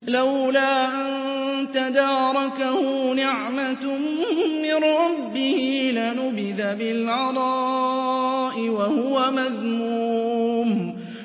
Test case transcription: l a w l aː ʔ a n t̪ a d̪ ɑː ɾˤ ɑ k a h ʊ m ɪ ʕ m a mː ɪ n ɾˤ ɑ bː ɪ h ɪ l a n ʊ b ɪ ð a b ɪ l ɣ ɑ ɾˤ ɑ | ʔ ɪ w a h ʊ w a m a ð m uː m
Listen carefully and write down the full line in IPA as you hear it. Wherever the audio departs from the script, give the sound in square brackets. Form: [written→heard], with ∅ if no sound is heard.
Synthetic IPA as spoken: l a w l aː ʔ a n t̪ a d̪ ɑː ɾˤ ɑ k a h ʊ [m→n] ɪ ʕ m a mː ɪ n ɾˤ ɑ bː ɪ h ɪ l a n ʊ b ɪ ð a b ɪ l [ɣ→ʕ] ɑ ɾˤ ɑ | ʔ ɪ w a h ʊ w a m a ð m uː m